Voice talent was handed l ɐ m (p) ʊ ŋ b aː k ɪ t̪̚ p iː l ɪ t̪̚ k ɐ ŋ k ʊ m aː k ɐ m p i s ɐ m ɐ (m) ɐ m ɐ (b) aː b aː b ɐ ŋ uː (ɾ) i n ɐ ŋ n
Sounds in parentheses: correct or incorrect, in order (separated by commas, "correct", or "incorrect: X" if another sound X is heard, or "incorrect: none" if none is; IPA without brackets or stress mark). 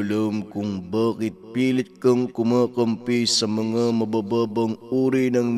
incorrect: k, incorrect: ŋ, correct, correct